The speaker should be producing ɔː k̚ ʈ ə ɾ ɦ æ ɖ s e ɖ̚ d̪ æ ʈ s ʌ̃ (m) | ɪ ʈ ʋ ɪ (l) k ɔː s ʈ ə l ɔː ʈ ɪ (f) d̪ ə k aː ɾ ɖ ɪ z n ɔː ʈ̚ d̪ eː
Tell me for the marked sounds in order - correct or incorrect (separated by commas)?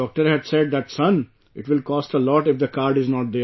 incorrect, correct, correct